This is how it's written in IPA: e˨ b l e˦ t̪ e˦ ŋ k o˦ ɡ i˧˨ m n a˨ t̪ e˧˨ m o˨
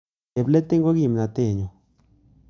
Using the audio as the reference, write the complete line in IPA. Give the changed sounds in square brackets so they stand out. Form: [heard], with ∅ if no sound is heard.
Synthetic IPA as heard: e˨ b l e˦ t̪ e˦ ŋ [ɡ] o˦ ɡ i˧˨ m n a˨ t̪ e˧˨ [ɲ] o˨